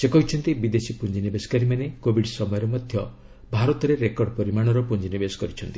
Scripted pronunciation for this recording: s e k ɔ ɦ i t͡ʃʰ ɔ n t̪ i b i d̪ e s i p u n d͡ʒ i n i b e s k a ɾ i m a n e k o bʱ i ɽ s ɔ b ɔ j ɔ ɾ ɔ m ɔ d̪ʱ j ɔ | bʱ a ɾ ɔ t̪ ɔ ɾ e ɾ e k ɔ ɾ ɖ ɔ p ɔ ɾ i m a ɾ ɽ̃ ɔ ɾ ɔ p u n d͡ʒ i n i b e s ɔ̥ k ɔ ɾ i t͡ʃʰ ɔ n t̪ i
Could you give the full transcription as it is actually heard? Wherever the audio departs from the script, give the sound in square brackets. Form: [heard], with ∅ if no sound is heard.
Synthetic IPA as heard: s e k ɔ ɦ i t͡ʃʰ ɔ n t̪ i b i d̪ e s i p u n d͡ʒ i n i b e s k a ɾ i m a n e k o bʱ i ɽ s ɔ [m] ɔ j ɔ ɾ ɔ m ɔ d̪ʱ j ɔ | bʱ a ɾ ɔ t̪ ɔ ɾ e ɾ e k ɔ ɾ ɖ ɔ p ɔ ɾ i m a [∅] ɽ̃ ɔ ɾ ɔ p u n d͡ʒ i n i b e s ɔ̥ k ɔ ɾ i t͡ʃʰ ɔ n t̪ i

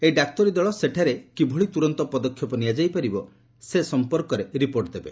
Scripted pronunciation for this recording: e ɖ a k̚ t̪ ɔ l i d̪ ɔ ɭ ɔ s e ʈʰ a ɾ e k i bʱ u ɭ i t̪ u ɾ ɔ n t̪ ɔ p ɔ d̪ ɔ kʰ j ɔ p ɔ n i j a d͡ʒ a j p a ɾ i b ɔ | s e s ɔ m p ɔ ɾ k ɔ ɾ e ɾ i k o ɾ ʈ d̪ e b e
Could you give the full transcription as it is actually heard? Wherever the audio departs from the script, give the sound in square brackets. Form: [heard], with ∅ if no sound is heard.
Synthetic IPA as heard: e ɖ a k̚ t̪ ɔ [ɾ] i d̪ ɔ ɭ ɔ s e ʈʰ a ɾ e k i bʱ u ɭ i t̪ u ɾ ɔ n t̪ ɔ p ɔ d̪ ɔ kʰ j ɔ p ɔ n i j a d͡ʒ a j p a ɾ i b ɔ | s e s ɔ m p ɔ ɾ k ɔ ɾ e ɾ i [p] o ɾ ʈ d̪ e b e

